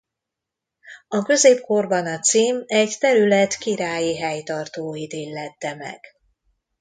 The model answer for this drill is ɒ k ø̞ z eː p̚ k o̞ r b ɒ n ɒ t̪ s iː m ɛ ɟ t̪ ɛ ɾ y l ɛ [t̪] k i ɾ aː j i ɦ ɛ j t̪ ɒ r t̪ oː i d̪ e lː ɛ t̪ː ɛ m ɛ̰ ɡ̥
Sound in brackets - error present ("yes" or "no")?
no